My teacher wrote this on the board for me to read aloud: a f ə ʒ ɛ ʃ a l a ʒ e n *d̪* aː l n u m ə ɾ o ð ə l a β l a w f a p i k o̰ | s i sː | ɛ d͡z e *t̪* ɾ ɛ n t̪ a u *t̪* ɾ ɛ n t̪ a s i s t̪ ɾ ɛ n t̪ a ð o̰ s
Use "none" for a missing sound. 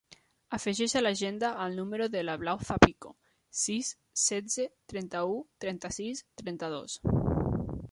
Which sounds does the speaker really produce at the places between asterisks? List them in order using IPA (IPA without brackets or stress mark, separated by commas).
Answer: d̪, t̪, t̪